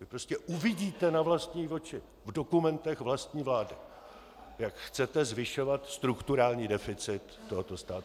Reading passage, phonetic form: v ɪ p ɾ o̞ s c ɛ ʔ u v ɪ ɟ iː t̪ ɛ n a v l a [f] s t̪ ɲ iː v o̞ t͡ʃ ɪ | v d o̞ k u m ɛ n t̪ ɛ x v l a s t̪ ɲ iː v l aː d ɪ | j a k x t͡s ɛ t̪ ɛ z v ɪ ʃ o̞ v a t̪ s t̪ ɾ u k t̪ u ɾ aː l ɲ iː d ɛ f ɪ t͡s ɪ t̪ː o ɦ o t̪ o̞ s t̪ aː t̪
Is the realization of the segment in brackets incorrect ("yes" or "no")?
yes